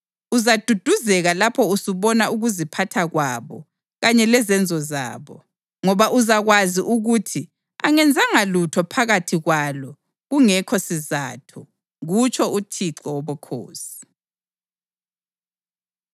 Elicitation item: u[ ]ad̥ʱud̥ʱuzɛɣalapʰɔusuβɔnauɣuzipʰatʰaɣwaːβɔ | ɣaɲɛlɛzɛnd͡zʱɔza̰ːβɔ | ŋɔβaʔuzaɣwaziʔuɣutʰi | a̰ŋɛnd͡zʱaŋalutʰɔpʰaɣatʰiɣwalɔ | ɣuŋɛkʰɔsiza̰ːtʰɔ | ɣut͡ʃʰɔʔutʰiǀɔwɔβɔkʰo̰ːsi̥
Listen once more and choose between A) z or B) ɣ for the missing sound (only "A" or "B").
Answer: A